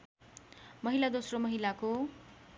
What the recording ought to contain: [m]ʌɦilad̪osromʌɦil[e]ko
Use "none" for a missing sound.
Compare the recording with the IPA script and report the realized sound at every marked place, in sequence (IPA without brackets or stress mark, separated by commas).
m, a